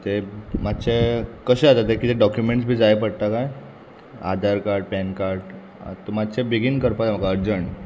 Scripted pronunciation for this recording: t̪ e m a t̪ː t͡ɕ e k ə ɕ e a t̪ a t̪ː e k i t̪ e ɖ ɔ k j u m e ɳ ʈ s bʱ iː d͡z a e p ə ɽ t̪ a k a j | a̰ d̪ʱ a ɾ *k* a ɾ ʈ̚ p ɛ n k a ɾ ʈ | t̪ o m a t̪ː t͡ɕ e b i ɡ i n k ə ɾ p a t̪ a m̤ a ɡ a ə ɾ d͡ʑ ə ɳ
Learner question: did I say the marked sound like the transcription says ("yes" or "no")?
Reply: yes